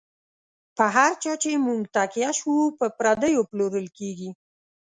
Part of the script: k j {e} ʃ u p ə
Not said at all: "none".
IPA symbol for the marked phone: a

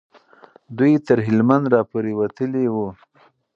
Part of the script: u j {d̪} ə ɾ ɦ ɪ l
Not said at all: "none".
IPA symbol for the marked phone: t̪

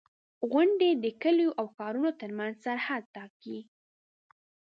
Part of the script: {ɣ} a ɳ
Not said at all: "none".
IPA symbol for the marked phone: ɣ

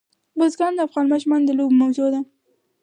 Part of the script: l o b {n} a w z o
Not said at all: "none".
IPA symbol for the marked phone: m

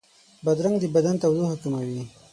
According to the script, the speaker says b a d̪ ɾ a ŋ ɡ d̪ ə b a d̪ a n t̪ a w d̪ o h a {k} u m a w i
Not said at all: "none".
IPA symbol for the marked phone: k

